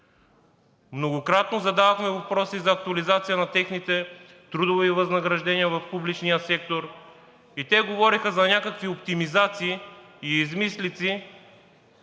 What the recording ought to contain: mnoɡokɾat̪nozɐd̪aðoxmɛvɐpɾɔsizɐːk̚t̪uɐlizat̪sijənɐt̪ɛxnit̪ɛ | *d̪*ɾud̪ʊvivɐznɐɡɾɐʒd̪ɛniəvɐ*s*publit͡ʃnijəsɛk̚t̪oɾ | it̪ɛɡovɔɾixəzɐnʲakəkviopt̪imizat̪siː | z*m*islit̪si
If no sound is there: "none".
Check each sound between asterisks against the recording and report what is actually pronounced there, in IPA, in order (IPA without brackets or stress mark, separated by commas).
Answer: t̪, f, m